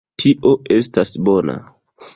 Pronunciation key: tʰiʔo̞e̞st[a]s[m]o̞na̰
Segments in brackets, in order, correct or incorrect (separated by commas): correct, incorrect